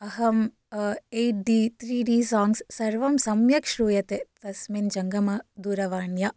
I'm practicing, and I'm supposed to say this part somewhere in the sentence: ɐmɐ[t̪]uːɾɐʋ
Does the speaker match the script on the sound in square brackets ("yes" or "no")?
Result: no